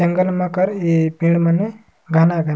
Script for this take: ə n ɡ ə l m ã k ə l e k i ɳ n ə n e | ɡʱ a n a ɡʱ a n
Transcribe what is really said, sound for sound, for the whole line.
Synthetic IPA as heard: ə ŋ ɡ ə l m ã k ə ɾ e p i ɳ m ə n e | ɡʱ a n a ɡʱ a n